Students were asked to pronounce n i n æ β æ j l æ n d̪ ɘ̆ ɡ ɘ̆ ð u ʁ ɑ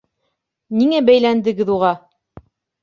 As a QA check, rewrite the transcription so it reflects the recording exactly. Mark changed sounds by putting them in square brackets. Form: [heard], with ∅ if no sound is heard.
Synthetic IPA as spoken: n i [ŋ] æ [b] æ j l æ n d̪ ɘ̆ ɡ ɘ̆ ð u ʁ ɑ